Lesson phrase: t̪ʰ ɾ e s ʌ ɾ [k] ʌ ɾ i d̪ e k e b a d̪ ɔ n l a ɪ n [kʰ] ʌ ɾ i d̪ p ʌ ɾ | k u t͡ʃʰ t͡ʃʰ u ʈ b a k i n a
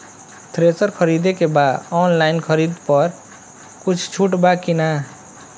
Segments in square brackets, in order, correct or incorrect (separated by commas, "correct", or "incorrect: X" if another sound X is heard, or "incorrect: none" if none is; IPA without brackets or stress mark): incorrect: kʰ, correct